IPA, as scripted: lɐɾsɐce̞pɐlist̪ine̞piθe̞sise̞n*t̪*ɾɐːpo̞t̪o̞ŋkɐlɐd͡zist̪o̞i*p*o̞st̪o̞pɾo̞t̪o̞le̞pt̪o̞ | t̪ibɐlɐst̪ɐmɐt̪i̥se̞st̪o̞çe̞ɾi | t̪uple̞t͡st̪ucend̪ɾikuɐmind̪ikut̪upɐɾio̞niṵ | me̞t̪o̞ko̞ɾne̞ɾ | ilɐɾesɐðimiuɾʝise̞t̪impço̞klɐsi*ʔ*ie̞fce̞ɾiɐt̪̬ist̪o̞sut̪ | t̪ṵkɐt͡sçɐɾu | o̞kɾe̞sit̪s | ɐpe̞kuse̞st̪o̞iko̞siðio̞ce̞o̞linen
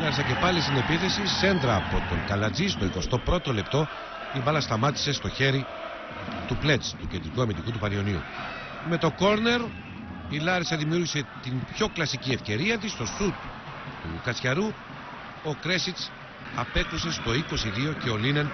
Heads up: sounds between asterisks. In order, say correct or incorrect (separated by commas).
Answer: incorrect, incorrect, incorrect